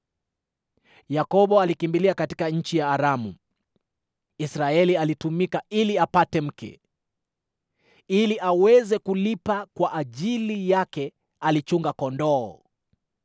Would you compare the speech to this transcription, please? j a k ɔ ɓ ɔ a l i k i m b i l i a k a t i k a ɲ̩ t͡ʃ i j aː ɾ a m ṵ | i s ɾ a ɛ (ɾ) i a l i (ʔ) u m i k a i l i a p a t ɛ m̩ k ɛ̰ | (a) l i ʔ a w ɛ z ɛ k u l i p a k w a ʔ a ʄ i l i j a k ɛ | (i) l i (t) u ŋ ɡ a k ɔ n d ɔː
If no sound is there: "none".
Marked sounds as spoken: l, t, i, a, t͡ʃ

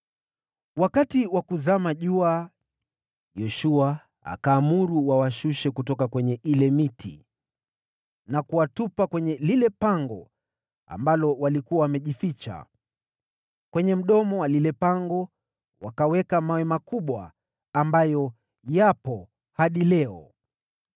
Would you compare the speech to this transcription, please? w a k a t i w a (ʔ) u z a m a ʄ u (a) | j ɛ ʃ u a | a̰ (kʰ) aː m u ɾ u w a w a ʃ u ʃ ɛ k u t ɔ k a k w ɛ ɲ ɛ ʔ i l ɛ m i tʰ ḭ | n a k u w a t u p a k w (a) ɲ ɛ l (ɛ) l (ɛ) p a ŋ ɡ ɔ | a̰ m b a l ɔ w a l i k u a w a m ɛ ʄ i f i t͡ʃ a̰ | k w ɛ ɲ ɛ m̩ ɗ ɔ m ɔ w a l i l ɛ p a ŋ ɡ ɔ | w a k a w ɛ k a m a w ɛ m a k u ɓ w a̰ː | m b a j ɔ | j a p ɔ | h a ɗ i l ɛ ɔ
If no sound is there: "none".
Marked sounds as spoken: k, a, k, ɛ, i, ɛ

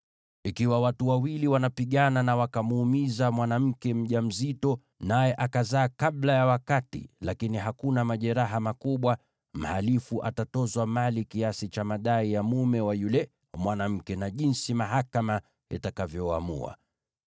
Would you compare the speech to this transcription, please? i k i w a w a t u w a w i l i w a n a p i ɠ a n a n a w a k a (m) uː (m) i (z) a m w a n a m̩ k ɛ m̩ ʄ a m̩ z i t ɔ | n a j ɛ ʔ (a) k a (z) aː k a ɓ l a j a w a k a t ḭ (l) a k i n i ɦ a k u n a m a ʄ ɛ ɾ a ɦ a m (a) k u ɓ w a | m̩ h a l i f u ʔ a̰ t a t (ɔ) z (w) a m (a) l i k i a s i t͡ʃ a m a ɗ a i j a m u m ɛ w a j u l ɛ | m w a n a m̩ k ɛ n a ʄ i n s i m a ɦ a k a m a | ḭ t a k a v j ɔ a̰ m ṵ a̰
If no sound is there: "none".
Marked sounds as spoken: m, m, z, a, z, l, a, ɔ, w, a

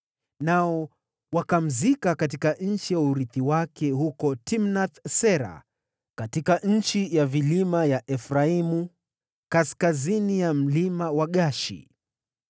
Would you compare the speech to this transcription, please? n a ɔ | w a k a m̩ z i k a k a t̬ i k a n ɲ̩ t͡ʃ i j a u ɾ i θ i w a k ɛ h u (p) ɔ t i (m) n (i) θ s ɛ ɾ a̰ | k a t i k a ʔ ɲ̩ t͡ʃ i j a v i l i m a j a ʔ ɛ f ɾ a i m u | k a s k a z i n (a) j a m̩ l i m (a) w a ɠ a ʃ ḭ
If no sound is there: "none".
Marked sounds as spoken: k, m, a, i, a

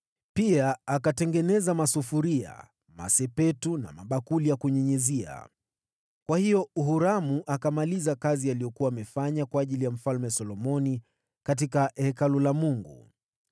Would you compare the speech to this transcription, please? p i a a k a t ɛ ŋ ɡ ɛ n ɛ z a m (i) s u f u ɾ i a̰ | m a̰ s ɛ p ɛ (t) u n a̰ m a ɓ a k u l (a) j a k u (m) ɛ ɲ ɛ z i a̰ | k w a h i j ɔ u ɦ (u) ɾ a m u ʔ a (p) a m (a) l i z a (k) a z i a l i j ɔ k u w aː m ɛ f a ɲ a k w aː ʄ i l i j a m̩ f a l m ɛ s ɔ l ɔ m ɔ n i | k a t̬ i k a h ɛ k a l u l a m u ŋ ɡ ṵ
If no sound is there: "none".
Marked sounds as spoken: a, t, i, ɲ, u, k, a, k

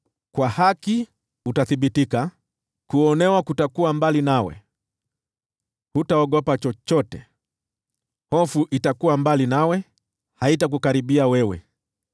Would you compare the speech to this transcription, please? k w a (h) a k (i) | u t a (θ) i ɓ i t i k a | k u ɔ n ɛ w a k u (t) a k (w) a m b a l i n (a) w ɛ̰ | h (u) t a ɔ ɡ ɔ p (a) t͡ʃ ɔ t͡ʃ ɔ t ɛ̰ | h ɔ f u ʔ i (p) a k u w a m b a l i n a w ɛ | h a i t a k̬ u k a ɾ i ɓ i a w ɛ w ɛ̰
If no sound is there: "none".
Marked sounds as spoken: h, i, θ, t, u, a, u, a, t

